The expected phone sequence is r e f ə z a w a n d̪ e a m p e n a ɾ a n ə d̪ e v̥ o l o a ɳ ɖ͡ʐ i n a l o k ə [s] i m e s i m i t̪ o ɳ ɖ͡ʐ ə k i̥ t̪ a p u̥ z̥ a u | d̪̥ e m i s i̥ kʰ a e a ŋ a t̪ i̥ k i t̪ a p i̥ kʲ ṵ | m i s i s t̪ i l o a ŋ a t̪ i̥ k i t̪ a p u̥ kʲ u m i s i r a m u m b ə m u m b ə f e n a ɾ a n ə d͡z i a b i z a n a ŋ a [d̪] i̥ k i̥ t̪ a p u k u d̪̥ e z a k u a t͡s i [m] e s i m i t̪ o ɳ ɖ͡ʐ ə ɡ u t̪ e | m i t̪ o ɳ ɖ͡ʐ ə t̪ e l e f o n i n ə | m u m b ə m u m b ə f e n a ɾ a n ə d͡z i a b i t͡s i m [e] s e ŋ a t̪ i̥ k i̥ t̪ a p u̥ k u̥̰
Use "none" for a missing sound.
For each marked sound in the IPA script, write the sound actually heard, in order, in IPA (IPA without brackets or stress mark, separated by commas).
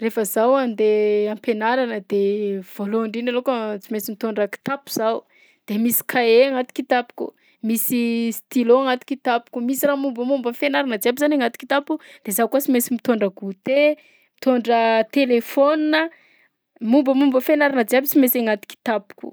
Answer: t͡s, t̪, m, e